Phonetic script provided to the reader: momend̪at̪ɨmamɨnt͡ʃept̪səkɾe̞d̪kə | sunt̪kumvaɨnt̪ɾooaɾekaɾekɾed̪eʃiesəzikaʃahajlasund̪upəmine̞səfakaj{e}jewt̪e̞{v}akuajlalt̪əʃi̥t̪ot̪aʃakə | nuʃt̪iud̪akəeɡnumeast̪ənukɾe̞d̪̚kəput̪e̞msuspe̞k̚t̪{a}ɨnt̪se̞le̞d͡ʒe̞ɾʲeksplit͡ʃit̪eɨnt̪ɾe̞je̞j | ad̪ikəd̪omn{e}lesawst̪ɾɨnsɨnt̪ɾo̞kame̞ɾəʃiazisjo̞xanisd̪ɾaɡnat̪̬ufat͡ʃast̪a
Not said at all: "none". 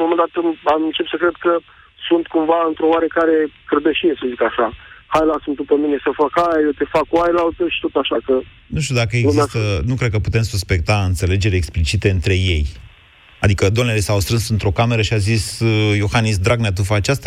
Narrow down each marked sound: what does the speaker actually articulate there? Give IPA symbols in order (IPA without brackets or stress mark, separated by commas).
a, f, a, e